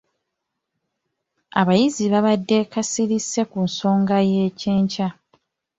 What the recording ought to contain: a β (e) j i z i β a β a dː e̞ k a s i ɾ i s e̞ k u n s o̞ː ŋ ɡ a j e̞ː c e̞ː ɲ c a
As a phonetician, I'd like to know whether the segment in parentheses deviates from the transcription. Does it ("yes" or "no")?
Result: yes